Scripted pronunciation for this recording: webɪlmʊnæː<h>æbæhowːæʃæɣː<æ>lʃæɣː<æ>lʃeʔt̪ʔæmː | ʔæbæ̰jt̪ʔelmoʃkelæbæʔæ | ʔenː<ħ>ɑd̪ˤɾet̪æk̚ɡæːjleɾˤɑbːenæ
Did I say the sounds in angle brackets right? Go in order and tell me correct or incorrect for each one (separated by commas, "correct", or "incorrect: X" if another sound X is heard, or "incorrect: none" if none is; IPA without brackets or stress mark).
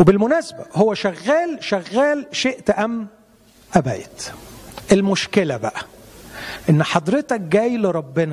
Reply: incorrect: s, incorrect: æː, incorrect: æː, correct